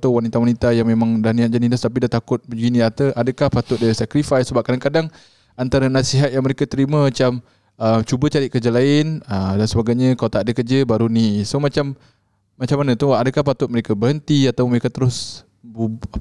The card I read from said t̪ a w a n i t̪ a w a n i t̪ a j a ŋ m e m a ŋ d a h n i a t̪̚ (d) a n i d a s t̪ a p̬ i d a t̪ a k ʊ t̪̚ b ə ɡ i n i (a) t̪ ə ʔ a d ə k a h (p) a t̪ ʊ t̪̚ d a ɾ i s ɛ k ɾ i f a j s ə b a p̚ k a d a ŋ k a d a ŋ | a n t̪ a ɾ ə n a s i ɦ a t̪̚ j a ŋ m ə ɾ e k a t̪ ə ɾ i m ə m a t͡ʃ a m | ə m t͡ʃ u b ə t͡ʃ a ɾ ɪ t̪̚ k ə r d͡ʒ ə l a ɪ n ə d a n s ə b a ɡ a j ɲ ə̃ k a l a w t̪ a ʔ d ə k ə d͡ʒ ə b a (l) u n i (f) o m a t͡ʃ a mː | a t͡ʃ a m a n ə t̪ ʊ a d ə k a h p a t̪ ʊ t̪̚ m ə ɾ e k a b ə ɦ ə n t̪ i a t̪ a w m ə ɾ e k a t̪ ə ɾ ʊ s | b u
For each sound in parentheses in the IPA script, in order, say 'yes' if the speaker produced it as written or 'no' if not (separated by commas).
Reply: no, yes, yes, no, no